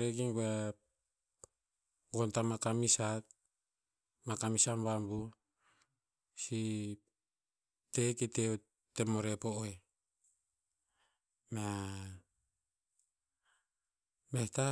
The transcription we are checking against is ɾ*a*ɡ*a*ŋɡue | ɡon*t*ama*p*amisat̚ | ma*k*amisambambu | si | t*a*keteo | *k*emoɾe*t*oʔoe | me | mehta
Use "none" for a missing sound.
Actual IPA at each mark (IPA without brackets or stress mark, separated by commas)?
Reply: e, i, t, k, k, e, t, p